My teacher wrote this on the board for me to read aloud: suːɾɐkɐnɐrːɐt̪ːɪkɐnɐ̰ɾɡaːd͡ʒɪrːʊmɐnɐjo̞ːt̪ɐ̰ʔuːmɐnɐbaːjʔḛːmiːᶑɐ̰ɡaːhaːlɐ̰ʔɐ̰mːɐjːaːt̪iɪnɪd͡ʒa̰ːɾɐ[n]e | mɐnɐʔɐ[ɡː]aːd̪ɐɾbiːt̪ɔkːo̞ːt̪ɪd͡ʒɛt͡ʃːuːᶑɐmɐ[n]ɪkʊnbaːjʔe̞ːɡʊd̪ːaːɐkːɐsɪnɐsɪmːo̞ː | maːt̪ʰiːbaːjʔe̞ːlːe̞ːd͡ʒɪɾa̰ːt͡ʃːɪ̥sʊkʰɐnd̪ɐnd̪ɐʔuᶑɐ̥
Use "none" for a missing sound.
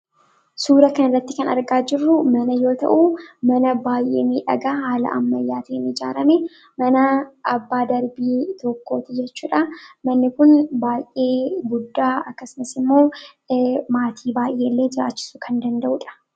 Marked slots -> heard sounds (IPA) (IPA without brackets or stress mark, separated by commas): m, bː, nː